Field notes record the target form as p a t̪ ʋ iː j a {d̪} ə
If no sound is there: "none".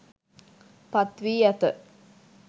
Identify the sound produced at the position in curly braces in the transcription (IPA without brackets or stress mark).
t̪